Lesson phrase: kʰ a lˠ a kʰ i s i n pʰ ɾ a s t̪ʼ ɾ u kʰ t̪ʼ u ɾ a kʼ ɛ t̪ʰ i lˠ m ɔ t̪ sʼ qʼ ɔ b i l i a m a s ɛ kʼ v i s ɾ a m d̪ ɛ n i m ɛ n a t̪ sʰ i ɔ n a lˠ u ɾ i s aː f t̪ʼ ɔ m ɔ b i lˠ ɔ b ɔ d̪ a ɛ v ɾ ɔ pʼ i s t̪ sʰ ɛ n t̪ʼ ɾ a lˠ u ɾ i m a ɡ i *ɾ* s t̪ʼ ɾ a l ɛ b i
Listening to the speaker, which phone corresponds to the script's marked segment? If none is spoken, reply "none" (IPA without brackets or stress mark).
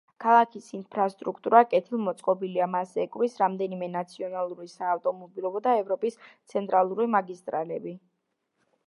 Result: none